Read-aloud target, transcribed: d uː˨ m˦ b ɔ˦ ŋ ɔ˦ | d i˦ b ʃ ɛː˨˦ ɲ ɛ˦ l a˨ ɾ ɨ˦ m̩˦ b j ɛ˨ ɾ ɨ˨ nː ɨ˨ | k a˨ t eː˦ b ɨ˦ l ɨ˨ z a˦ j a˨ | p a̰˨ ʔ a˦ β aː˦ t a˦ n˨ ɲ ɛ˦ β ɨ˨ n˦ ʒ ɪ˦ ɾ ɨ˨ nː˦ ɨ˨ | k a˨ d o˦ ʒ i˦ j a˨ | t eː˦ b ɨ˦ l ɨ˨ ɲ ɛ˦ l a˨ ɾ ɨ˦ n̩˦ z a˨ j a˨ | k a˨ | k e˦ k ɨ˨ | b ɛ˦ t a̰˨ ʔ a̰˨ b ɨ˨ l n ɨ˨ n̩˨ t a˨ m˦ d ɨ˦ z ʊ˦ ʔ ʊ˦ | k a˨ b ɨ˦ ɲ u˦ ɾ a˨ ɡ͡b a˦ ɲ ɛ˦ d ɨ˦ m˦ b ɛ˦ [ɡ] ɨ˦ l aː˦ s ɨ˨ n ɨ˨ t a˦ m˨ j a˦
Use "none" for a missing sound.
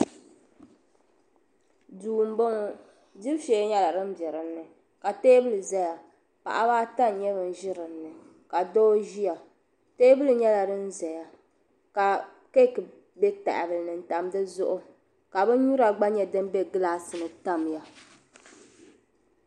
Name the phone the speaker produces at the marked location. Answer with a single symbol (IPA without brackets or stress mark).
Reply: ɡ